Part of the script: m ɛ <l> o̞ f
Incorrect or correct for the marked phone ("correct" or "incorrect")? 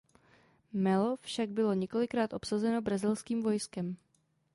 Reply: correct